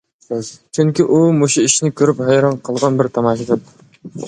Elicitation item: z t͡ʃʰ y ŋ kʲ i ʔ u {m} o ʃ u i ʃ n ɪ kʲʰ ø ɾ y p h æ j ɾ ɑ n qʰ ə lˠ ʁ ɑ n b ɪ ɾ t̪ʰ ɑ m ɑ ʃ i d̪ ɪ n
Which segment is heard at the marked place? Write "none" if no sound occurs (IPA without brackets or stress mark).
m